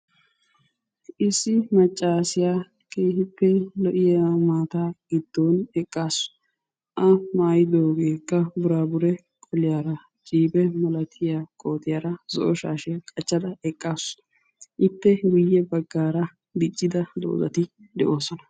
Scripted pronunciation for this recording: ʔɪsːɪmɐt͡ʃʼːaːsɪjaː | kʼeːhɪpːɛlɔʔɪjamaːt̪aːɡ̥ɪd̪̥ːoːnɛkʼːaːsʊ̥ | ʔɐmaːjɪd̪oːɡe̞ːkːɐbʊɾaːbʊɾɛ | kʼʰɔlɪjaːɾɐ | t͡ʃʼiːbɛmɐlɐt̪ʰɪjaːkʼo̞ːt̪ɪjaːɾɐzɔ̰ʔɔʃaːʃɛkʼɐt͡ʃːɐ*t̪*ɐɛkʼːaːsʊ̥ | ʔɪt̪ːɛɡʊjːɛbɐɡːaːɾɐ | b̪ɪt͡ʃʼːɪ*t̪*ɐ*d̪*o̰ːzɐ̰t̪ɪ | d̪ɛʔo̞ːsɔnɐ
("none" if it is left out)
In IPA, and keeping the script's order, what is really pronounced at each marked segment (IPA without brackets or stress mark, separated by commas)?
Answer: d̪, d̪, d̪